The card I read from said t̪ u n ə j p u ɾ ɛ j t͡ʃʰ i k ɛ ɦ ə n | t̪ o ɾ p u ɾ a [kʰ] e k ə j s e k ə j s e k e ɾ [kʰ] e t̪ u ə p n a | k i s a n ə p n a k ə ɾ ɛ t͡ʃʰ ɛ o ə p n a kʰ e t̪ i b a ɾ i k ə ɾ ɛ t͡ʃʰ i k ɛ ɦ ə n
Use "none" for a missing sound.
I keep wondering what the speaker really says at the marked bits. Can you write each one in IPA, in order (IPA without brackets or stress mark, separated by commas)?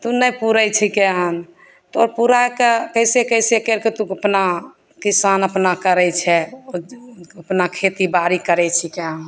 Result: k, k